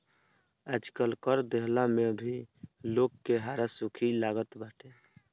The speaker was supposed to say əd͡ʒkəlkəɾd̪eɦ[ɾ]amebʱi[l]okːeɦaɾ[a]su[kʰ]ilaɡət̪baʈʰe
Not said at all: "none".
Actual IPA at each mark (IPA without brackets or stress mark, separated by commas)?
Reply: l, l, a, kʰ